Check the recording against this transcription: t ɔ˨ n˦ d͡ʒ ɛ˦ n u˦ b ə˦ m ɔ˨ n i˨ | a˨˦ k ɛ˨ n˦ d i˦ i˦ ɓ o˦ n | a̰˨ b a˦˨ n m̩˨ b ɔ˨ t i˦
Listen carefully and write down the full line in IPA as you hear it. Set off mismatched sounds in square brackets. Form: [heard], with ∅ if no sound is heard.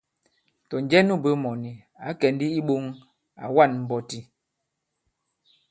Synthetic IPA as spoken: t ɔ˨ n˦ d͡ʒ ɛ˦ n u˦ b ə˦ m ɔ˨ n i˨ | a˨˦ k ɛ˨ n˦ d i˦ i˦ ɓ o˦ [ŋ] | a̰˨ [w] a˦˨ n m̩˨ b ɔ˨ t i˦